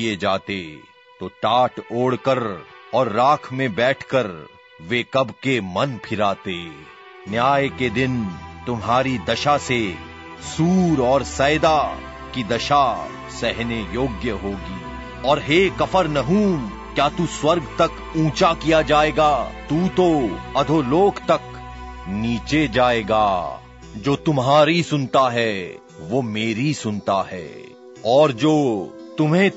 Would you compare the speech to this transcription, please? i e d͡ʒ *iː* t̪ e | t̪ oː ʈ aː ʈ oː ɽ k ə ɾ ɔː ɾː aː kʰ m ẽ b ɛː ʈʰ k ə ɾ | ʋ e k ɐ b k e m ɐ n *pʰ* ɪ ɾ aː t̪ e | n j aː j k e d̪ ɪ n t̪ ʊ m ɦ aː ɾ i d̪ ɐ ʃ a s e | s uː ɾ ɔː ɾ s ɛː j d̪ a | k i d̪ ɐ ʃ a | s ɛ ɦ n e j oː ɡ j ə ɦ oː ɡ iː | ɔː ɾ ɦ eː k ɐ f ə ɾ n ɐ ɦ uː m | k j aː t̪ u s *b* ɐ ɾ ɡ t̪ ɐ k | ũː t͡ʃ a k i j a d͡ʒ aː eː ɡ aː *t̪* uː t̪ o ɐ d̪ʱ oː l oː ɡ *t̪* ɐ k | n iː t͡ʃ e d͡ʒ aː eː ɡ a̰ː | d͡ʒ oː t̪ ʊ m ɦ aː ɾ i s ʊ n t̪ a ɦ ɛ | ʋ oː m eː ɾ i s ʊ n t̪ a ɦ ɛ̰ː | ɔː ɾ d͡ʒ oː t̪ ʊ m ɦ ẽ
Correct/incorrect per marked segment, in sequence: incorrect: aː, correct, incorrect: w, correct, correct

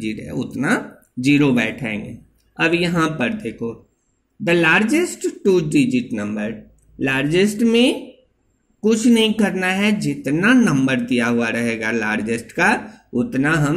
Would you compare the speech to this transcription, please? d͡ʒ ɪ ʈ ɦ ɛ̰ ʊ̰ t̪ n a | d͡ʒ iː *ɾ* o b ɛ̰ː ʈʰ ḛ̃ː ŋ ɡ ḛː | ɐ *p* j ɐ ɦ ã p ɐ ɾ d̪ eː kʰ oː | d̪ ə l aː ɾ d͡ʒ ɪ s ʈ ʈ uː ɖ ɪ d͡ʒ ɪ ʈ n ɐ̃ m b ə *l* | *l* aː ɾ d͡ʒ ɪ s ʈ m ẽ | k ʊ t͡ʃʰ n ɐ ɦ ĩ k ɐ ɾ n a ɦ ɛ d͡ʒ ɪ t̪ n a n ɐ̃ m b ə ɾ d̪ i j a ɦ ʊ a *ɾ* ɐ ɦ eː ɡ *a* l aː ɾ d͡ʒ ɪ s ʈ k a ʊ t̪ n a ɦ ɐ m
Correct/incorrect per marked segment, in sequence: correct, incorrect: b, incorrect: ɾ, correct, correct, correct

